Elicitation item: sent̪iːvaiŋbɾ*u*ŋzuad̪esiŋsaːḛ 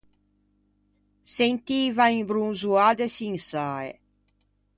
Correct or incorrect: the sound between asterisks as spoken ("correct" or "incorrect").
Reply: correct